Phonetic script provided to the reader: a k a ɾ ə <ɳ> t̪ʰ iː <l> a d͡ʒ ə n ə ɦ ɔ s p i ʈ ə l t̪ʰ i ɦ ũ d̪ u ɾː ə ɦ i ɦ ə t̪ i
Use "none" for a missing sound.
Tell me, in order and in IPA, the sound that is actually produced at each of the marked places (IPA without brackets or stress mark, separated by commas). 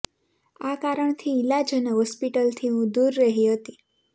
ɳ, l